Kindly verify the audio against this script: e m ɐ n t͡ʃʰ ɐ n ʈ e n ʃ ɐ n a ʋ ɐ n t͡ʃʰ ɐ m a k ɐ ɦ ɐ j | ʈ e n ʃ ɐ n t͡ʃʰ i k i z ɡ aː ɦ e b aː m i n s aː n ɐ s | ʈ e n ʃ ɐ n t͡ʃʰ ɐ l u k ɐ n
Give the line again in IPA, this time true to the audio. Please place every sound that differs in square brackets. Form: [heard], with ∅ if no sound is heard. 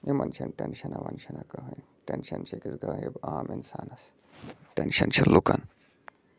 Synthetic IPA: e m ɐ n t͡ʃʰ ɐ n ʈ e n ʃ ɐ n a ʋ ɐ n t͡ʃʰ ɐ [n] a k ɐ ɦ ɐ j | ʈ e n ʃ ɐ n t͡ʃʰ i k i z ɡ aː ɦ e b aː m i n s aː n ɐ s | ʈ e n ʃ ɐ n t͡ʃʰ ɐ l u k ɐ n